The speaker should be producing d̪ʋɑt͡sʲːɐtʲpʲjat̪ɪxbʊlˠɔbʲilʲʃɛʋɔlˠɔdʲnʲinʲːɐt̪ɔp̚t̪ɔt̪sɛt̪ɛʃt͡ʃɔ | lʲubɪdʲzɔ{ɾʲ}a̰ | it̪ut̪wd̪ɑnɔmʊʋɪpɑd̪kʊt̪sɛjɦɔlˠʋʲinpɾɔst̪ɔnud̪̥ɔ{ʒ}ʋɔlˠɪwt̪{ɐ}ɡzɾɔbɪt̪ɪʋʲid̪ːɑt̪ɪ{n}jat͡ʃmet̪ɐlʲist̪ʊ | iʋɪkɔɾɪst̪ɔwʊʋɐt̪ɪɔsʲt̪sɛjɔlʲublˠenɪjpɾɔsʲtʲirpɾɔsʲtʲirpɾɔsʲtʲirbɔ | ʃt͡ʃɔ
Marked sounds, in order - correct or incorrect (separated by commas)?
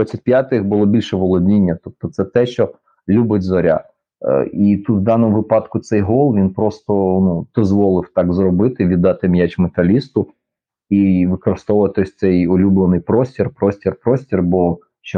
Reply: correct, incorrect, incorrect, incorrect